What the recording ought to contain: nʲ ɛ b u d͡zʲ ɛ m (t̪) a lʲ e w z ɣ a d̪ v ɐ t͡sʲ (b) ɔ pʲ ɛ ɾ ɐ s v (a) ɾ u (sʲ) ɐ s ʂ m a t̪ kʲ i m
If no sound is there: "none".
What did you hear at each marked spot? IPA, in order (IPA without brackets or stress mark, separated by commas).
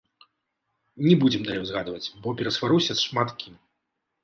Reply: d̪, b, a, sʲ